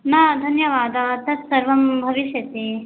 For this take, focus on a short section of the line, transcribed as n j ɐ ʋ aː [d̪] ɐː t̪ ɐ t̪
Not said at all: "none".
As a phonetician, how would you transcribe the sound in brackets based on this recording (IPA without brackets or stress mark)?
d̪